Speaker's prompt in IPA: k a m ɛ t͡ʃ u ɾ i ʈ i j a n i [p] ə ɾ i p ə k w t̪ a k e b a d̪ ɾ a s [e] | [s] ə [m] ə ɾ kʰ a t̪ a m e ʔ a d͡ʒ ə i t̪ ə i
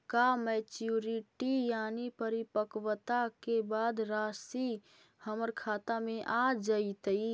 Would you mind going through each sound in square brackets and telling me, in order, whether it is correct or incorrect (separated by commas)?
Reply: correct, incorrect, incorrect, correct